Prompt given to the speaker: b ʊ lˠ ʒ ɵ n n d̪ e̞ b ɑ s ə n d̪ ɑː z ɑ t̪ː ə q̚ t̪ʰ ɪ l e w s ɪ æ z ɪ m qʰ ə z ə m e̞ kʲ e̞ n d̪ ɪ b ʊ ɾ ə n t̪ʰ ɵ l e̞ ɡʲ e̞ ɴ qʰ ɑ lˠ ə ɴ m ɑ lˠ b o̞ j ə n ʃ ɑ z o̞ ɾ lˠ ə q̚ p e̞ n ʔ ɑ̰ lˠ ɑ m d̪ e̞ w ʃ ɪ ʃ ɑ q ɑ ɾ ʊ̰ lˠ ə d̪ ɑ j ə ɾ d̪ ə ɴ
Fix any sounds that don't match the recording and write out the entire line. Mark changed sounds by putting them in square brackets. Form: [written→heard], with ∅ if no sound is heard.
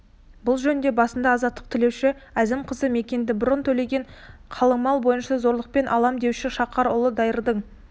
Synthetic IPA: b ʊ lˠ ʒ ɵ n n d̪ e̞ b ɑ s ə n d̪ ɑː z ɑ t̪ː ə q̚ t̪ʰ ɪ l e w [s→ʃ] ɪ æ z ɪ m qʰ ə z ə m e̞ kʲ e̞ n d̪ ɪ b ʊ ɾ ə n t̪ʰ ɵ l e̞ ɡʲ e̞ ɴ qʰ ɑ lˠ ə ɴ m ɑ lˠ b o̞ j ə n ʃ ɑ z o̞ ɾ lˠ ə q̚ p e̞ n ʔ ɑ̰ lˠ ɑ m d̪ e̞ w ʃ ɪ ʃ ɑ q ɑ ɾ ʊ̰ lˠ ə d̪ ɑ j ə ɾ d̪ ə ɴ